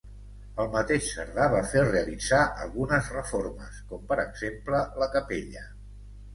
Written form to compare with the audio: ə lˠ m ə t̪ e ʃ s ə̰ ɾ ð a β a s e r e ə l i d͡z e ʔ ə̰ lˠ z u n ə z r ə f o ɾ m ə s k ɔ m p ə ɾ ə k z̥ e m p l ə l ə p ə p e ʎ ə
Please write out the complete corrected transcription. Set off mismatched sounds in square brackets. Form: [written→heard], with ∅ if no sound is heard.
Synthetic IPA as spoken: ə lˠ m ə t̪ e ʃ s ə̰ ɾ ð a β a [s→f] e r e ə l i d͡z [e→a] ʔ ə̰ lˠ [z→ɣ] u n ə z r ə f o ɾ m ə s k ɔ m p ə ɾ ə [k→ɡ] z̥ e m p l ə l ə [p→k] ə p e ʎ ə